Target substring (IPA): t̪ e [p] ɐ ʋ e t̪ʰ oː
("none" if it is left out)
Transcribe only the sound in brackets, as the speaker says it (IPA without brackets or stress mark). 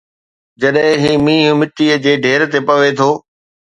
p